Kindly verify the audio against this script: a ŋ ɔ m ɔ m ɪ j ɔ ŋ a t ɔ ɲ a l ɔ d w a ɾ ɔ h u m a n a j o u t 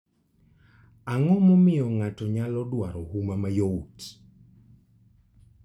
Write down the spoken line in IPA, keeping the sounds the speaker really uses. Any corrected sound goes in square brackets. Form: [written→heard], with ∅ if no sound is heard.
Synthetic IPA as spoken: a ŋ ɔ m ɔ m ɪ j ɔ ŋ a t ɔ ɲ a l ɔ d w a ɾ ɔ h u m a [n→m] a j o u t